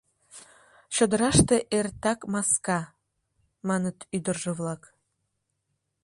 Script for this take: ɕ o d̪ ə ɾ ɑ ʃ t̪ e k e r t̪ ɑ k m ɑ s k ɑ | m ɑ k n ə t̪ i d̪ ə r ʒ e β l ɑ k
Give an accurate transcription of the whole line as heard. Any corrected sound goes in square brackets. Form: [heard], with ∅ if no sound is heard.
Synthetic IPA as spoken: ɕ o d̪ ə ɾ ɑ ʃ t̪ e [ʔ] e r t̪ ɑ k m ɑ s k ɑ | m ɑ [∅] n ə t̪ [y] d̪ ə r ʒ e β l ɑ k